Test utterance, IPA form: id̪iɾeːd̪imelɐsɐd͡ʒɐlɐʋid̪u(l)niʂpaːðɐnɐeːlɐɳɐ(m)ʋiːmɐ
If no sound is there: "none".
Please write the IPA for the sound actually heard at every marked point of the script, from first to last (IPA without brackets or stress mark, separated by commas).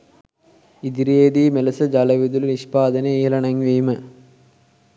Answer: l, ŋ